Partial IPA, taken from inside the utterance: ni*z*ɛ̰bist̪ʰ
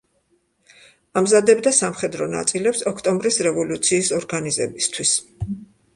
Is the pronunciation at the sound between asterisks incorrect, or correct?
correct